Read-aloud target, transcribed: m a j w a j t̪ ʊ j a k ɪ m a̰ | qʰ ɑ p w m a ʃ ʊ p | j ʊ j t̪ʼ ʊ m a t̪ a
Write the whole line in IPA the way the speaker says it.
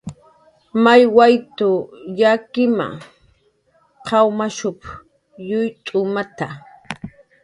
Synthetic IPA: m a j w a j t̪ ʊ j a k ɪ m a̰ | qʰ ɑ w m a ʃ ʊ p | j ʊ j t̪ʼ ʊ m a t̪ a